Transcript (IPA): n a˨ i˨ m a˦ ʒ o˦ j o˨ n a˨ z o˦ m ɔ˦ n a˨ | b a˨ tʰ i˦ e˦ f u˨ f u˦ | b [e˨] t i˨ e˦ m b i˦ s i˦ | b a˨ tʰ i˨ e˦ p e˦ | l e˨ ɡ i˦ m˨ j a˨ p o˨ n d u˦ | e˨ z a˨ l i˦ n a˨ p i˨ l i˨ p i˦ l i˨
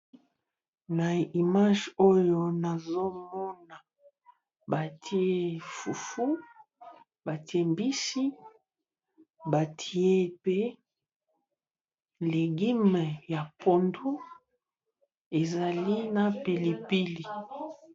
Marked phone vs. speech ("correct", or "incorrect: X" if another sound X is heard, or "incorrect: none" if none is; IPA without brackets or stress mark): incorrect: a˨